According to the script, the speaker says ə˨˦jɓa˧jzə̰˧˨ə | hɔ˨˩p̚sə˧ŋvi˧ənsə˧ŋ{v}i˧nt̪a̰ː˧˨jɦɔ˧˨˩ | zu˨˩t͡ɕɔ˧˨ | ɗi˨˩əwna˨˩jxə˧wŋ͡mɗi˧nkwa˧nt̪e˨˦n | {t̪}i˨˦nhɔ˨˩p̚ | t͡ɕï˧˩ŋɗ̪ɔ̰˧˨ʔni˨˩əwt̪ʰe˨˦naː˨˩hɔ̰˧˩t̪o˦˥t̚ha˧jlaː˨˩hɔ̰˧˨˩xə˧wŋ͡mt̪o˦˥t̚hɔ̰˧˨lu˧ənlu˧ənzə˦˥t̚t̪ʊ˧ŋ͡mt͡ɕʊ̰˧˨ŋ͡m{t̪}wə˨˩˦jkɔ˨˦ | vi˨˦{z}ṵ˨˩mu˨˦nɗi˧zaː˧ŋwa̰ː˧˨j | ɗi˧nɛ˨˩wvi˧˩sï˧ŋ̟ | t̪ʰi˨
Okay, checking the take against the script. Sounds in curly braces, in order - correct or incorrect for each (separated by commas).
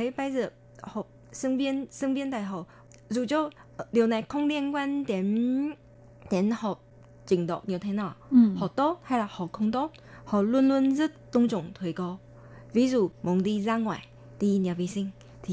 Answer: correct, correct, incorrect, correct